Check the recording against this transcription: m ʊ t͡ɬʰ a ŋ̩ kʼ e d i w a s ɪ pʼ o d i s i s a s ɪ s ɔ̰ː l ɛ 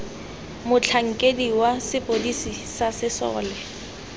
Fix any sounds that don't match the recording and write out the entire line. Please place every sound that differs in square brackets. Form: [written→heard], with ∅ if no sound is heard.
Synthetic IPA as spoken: m ʊ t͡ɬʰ a ŋ̩ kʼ e d i w a s ɪ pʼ o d i s i s a s ɪ s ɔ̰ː l ɛ